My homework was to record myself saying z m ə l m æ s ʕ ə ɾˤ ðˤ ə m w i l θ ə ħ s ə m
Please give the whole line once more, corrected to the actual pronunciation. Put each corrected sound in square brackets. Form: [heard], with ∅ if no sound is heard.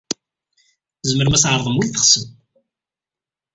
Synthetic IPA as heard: z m ə [ɾ] m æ s ʕ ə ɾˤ ðˤ ə m w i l θ ə [χ] s ə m